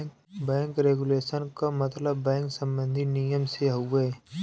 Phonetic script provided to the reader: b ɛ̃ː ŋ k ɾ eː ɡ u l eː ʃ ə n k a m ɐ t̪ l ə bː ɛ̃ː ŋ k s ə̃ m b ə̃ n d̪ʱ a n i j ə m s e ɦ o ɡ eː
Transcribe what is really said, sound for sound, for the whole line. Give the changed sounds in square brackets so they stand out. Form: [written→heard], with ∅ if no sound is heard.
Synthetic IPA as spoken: b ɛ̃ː ŋ k ɾ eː ɡ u l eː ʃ ə n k a m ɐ t̪ l ə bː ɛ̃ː ŋ k s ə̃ m b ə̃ n d̪ʱ [a→i] n i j ə m s e ɦ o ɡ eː